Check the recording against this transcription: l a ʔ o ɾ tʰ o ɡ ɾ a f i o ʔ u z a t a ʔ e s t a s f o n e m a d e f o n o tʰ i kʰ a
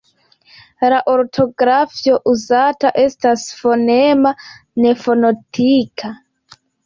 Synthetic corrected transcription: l a ʔ o ɾ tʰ o ɡ ɾ a f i o ʔ u z a t a ʔ e s t a s f o n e m a n e f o n o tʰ i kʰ a